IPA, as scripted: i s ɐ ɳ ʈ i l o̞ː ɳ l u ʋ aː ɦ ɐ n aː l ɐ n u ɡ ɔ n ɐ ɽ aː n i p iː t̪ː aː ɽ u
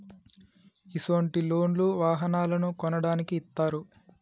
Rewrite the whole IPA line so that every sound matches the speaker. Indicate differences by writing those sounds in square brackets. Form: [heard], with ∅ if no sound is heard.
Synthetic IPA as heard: i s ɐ ɳ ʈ i l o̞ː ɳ l u ʋ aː ɦ ɐ n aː l ɐ n u [k] ɔ n ɐ ɽ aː n i [k] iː t̪ː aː [ɾ] u